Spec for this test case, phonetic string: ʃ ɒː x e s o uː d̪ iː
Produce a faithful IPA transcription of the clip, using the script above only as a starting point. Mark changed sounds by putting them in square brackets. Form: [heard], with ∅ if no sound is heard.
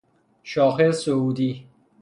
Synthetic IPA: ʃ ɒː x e s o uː d̪ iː

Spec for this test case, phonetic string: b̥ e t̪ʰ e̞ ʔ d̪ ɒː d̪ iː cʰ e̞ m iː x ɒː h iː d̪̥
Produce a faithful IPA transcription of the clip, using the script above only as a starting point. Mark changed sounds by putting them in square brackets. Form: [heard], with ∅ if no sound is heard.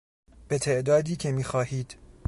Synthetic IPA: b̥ e t̪ʰ e̞ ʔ d̪ ɒː d̪ iː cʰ e̞ m iː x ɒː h iː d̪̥

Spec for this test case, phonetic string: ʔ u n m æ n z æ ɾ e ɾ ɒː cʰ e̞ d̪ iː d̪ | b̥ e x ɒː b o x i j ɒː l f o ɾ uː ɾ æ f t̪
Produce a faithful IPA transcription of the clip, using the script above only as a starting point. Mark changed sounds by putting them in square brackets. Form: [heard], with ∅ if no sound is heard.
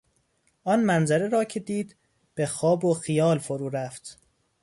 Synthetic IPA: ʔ [ɒ] n m æ n z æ ɾ e ɾ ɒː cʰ e̞ d̪ iː d̪ | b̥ e x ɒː b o x i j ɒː l f o ɾ uː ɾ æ f t̪

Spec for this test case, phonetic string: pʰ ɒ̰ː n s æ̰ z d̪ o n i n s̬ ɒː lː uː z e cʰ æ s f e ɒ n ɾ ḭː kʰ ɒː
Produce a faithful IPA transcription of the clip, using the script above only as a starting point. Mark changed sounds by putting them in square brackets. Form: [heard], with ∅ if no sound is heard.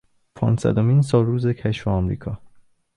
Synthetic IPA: pʰ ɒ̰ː n s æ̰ [∅] d̪ o [m] i n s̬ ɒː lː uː z e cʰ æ [ʃ] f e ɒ [m] ɾ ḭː kʰ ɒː

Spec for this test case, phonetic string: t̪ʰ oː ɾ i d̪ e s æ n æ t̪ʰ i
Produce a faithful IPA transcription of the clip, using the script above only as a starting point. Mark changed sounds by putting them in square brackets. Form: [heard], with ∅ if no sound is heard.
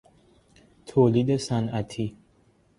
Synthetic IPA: t̪ʰ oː [l] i d̪ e s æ n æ t̪ʰ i

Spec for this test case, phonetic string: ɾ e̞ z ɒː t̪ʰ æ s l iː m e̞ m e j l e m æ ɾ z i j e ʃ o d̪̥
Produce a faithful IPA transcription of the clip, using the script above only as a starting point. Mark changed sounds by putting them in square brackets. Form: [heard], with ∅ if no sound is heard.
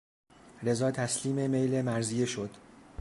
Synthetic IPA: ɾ e̞ z ɒː t̪ʰ æ s l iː m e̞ m e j l e m æ ɾ z i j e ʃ o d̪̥

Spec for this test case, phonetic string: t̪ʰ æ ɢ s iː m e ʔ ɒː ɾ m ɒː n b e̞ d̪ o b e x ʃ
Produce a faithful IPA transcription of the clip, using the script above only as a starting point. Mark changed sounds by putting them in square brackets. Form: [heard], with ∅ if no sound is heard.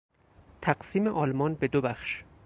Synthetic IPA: t̪ʰ æ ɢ s iː m e ʔ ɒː [l] m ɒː n b e̞ d̪ o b [æ] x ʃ

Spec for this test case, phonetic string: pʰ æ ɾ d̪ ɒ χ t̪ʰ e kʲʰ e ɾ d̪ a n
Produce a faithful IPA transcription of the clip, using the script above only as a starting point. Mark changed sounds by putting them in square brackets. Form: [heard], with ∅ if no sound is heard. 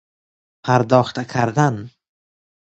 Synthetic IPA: pʰ [a] ɾ d̪ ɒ χ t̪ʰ [a] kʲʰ [a] ɾ d̪ a n

